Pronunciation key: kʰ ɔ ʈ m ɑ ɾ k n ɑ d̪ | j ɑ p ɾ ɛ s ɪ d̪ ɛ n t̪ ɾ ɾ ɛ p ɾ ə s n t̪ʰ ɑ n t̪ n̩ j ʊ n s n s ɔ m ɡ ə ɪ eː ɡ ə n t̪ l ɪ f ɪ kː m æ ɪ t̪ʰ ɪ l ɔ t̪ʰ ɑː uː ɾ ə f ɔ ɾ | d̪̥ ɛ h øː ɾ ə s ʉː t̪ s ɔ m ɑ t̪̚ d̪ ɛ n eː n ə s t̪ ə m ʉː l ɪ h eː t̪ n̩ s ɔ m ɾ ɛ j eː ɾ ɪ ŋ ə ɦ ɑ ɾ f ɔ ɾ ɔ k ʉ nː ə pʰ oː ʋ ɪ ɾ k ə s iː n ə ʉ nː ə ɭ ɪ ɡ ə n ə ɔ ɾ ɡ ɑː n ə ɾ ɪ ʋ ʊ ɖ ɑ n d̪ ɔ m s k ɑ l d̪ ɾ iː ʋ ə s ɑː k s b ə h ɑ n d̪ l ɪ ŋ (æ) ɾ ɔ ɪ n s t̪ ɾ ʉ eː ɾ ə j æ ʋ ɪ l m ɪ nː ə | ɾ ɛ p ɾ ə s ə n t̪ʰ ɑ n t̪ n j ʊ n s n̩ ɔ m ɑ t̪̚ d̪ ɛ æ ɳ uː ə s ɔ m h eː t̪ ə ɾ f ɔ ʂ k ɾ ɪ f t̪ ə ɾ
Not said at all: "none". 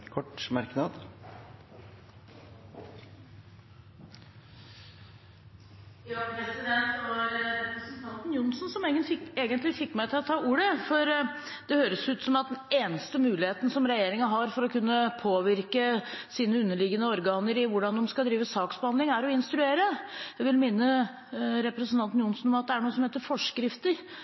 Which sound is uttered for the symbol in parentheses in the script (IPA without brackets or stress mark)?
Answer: æ